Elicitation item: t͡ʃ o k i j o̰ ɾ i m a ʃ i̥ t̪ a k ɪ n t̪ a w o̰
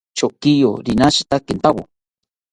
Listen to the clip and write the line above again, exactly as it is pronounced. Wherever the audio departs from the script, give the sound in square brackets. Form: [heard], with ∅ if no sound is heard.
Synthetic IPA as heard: t͡ʃ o k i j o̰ ɾ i [n] a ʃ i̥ t̪ a k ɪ n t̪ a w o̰